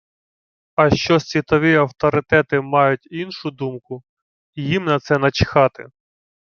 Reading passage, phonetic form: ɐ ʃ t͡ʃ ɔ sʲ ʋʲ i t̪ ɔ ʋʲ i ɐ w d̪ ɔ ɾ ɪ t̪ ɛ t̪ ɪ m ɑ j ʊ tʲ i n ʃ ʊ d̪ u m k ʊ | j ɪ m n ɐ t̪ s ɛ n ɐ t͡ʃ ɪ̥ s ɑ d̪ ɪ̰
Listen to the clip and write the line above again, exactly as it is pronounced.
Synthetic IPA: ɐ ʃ t͡ʃ ɔ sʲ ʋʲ i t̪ ɔ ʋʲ i ɐ w t̪ ɔ ɾ ɪ t̪ ɛ t̪ ɪ m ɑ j ʊ tʲ i n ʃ ʊ d̪ u m k ʊ | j i m n ɐ t̪ s ɛ n ɐ t͡ʃ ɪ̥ x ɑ t̪ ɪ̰